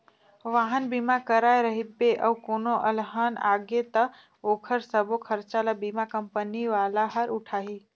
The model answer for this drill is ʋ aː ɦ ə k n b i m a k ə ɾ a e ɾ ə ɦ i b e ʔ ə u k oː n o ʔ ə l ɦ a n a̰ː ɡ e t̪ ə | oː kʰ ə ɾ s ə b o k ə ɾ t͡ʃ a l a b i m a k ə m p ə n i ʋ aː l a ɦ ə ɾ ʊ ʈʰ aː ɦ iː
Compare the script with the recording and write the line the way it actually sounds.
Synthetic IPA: ʋ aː ɦ ə n b i m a k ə ɾ a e ɾ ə ɦ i b e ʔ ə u k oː n o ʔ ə l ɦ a n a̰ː ɡ e t̪ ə | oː kʰ ə ɾ s ə b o kʰ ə ɾ t͡ʃ a l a b i m a k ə m p ə n i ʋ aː l a ɦ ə ɾ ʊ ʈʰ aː ɦ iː

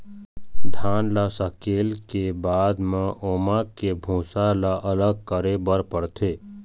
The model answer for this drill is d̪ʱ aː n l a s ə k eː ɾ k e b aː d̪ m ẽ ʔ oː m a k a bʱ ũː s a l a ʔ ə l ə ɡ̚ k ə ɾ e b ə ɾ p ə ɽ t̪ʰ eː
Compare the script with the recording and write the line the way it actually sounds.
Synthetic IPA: d̪ʱ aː n l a s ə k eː l k e b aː d̪ m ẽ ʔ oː m a k e bʱ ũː s a l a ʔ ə l ə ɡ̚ k ə ɾ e b ə ɾ p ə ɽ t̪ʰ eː

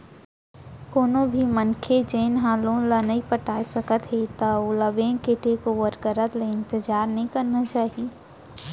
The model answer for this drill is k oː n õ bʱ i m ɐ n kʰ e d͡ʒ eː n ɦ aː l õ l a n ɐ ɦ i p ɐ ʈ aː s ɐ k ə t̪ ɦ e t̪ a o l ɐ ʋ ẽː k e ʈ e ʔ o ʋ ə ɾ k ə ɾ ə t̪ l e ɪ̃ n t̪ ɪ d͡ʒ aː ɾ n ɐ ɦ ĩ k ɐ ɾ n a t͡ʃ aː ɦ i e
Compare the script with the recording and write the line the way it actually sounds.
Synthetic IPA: k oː n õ bʱ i m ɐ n kʰ e d͡ʒ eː n ɦ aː l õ l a n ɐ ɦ i p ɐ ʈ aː s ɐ k ə t̪ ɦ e t̪ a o l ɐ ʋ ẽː k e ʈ e k o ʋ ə ɾ k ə ɾ ə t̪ l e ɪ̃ n t̪ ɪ d͡ʒ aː ɾ n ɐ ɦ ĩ k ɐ ɾ n a t͡ʃ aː ɦ i e

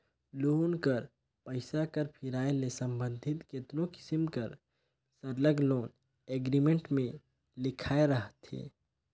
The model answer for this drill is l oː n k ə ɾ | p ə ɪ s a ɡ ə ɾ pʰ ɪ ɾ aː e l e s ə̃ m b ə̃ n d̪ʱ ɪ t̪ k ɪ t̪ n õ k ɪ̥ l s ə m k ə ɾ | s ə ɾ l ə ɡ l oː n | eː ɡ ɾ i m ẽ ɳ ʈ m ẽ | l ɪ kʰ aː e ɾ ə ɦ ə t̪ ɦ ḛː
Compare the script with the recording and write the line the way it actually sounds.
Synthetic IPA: l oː n k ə ɾ | p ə ɪ s a k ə ɾ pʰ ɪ ɾ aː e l e s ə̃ m b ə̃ n d̪ʱ ɪ t̪ k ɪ t̪ n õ k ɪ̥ s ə m k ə ɾ | s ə ɾ l ə ɡ l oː n | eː ɡ ɾ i m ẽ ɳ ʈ m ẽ | l ɪ kʰ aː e ɾ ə ɦ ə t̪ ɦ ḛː

